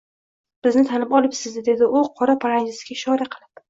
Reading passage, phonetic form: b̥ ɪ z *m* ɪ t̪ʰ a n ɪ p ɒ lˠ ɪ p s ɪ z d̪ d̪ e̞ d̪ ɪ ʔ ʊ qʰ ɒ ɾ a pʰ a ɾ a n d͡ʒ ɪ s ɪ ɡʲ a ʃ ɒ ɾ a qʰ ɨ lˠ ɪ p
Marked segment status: incorrect: n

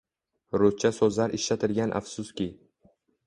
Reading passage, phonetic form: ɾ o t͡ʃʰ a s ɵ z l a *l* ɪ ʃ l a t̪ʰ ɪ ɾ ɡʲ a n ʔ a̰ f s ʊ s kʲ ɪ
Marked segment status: incorrect: ɾ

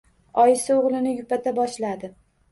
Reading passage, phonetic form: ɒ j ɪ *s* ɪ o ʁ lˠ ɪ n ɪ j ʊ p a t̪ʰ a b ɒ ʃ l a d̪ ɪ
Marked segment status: correct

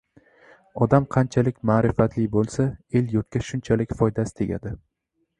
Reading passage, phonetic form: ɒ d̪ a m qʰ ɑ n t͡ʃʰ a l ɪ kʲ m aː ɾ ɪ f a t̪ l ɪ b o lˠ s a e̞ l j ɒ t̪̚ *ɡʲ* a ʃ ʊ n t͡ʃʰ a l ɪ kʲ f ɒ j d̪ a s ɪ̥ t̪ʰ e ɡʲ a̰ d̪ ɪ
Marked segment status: incorrect: kʲ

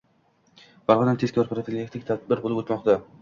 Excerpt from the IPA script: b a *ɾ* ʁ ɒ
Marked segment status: correct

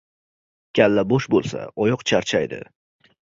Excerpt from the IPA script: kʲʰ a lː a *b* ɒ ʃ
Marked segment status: correct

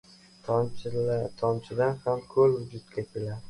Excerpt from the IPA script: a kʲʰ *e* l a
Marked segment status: correct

